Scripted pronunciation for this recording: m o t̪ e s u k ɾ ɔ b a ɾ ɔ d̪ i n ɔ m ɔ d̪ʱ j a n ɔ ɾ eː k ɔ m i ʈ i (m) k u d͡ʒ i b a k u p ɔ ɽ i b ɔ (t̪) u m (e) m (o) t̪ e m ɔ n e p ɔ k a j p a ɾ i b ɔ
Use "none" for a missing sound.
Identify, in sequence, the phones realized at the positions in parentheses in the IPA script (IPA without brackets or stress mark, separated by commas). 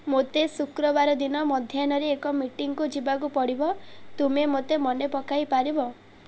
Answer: ŋ, t̪, e, o